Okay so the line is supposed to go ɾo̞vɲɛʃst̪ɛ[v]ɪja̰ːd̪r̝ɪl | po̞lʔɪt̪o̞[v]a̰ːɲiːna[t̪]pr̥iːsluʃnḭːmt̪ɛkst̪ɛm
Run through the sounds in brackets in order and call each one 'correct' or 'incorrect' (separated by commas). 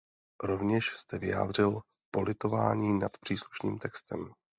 correct, correct, correct